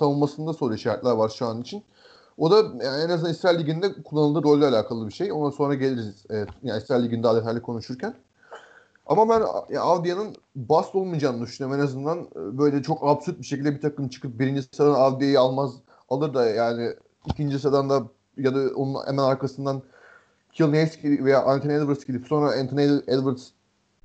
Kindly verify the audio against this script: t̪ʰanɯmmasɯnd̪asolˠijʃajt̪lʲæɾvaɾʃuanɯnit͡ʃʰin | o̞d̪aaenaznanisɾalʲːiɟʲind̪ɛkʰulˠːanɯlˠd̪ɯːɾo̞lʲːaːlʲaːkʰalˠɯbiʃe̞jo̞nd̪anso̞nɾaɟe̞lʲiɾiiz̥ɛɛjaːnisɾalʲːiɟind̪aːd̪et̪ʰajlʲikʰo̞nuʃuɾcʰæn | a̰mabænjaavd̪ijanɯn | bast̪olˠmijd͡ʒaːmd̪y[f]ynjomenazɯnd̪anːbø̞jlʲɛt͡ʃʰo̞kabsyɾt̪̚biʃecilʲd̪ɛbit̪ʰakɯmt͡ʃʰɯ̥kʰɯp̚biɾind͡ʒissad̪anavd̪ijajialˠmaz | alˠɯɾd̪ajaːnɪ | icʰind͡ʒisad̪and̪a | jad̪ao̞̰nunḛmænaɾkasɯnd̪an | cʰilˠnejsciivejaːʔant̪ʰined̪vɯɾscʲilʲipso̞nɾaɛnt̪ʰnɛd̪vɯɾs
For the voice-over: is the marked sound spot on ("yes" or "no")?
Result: no